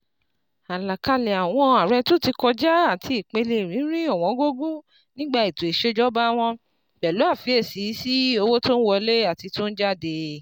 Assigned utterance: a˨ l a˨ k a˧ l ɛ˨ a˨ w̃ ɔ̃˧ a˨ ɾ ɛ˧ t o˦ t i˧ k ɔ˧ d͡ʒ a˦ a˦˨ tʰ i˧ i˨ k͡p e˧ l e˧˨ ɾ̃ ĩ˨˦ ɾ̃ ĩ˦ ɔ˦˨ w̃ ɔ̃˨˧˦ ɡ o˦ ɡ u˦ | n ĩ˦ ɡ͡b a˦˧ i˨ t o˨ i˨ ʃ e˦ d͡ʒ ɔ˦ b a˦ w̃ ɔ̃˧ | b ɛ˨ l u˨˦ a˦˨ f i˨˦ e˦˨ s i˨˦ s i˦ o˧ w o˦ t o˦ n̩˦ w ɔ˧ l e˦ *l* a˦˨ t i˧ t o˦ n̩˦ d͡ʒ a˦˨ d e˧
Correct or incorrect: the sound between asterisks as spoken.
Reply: incorrect: none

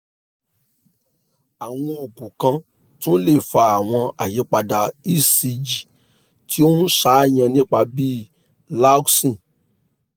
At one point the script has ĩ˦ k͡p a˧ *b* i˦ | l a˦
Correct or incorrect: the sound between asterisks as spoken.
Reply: correct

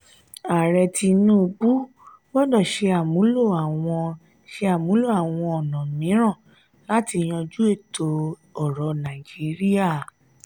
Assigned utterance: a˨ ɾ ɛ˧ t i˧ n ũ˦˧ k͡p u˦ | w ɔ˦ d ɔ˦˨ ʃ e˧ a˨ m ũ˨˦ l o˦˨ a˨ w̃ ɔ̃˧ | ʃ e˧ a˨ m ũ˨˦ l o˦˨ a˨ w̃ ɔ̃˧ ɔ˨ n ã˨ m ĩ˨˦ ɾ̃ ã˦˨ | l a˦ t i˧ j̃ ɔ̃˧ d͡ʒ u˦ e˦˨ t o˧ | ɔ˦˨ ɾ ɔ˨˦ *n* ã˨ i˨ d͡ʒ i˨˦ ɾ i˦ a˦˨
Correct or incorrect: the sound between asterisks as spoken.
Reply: correct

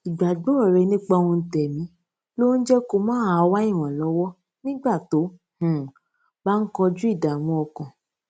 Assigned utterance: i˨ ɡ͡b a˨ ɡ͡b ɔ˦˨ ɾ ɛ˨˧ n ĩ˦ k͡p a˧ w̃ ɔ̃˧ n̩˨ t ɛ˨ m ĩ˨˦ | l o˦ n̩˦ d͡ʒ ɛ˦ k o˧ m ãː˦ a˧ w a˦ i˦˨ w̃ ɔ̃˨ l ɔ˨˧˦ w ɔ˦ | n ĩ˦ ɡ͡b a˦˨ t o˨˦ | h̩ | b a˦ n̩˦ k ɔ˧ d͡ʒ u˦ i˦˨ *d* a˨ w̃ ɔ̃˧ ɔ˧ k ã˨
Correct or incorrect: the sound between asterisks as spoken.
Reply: correct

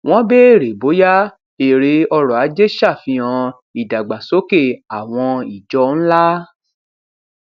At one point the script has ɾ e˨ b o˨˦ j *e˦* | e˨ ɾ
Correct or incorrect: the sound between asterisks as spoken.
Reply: incorrect: a˦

